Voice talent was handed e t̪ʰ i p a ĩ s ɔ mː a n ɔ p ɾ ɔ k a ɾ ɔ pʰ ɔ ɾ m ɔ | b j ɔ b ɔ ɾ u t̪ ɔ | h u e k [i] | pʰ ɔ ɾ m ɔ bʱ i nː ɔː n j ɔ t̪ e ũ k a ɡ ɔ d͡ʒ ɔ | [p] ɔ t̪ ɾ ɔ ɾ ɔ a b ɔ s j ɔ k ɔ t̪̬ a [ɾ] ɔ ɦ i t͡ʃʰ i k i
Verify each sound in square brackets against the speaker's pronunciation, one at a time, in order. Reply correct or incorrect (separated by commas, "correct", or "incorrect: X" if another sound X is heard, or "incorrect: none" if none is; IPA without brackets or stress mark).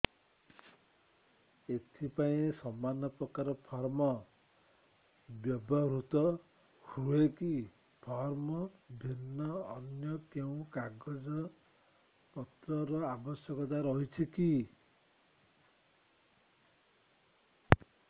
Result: correct, correct, correct